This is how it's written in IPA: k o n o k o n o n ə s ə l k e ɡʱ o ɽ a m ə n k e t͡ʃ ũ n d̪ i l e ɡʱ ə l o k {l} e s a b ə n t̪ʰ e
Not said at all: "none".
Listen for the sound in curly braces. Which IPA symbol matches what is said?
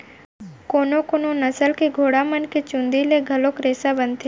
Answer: ɾ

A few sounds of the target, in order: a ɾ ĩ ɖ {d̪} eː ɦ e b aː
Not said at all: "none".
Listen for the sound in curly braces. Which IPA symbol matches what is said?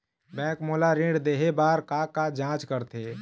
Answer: d̪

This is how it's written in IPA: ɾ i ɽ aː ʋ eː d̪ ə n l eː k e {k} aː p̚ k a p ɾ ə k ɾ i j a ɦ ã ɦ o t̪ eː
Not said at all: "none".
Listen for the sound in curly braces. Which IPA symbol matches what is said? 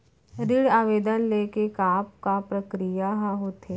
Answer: k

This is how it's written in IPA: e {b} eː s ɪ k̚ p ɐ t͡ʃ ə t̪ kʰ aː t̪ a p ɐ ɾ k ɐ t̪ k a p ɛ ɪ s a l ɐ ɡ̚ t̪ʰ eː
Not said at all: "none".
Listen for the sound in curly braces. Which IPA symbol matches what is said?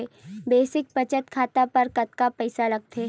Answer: b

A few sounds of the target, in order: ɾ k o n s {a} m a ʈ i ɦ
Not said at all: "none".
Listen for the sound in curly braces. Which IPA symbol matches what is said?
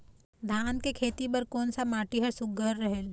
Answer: a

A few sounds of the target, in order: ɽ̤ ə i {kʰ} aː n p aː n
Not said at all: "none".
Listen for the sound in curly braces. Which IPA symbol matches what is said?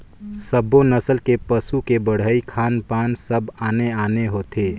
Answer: kʰ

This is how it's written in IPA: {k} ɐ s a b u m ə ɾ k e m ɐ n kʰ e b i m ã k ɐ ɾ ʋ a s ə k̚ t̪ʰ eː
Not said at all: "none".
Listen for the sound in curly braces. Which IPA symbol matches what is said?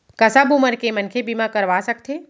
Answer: k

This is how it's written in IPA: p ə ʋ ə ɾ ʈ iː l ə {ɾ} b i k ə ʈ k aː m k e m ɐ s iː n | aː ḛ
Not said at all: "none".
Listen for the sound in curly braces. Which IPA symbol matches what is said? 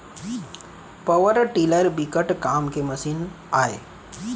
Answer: ɾ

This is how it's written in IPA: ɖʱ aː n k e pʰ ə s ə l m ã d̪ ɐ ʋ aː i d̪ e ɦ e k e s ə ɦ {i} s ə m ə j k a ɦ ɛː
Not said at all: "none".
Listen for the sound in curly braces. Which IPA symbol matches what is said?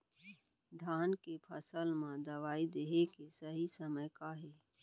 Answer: i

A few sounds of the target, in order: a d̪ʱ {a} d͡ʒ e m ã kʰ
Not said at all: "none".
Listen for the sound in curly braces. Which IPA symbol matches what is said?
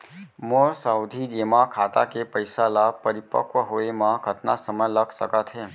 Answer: i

